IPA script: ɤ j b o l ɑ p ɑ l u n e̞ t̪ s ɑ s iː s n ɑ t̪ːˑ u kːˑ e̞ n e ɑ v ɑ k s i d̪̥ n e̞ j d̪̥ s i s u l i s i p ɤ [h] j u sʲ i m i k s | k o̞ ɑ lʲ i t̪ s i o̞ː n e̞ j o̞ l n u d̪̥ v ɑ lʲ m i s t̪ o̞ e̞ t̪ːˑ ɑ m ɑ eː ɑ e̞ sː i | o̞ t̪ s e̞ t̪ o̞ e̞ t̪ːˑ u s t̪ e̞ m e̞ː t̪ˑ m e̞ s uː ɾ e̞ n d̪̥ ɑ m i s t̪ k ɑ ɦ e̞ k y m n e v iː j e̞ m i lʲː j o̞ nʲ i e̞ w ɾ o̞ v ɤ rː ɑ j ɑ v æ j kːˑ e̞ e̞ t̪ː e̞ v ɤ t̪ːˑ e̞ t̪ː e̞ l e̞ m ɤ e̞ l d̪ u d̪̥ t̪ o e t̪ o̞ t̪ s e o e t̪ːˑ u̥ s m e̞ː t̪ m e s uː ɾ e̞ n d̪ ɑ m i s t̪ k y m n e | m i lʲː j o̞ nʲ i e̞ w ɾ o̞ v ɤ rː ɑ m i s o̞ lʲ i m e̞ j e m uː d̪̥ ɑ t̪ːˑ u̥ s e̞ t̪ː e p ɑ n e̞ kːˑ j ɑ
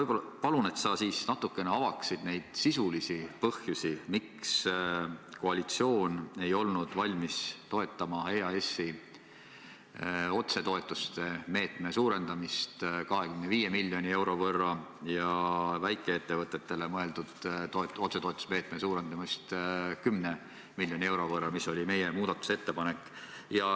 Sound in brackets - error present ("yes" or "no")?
no